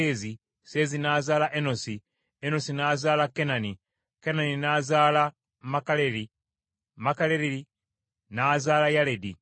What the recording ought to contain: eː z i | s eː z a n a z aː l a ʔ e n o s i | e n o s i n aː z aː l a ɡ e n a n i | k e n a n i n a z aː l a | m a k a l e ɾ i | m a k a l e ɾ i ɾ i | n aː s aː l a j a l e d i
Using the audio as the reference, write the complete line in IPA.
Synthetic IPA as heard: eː z i | s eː z i n a z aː l a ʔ e n o s i | e n o s i n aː z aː l a k e n a n i | k e n a n i n a z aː l a | m a k a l e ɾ i | m a k a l e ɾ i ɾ i | n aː z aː l a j a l e d i